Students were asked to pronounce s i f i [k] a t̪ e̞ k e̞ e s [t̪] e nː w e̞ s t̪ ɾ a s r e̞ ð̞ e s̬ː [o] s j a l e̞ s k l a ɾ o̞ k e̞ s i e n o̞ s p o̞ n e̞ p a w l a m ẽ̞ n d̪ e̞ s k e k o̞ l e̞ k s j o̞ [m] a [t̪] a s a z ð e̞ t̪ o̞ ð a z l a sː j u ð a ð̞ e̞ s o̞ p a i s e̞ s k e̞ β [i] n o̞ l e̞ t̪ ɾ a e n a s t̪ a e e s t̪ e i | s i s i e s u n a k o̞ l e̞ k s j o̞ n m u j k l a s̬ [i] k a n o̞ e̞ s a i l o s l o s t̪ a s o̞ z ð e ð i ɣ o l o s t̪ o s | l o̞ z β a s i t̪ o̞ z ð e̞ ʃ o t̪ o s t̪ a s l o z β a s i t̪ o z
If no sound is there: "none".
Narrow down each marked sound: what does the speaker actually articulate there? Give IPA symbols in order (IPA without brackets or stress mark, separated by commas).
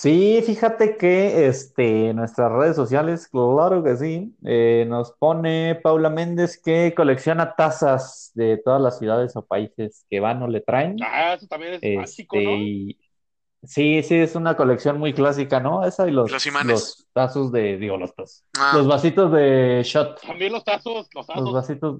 x, t̪, o, n, t̪, a, i